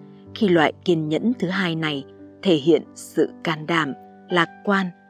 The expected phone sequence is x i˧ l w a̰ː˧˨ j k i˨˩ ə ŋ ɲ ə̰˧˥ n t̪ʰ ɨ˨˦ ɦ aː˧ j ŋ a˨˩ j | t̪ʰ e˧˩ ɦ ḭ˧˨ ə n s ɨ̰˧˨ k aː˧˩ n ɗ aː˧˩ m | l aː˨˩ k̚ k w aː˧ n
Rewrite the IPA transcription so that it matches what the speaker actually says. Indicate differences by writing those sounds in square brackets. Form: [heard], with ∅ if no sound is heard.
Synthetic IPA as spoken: x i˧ l w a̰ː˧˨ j k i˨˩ ə [n] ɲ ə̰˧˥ n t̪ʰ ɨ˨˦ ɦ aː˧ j [n] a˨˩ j | t̪ʰ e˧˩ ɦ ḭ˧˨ ə n s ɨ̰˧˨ k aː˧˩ n ɗ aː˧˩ m | l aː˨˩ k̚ k w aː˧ n